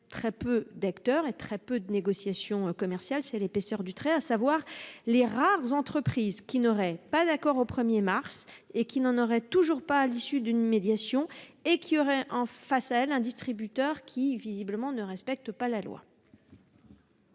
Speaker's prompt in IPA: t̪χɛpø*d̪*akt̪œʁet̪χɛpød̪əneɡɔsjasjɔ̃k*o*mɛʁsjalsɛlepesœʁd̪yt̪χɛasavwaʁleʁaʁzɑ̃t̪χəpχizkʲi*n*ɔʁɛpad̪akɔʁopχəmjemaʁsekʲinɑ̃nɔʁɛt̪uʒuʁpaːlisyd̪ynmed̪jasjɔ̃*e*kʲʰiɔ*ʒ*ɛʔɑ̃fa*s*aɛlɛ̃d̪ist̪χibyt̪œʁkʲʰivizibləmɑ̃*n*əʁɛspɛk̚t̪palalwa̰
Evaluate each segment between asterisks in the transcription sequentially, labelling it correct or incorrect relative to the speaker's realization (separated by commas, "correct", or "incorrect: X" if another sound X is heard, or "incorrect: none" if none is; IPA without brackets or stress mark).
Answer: correct, incorrect: ɔ, correct, correct, incorrect: ʁ, correct, correct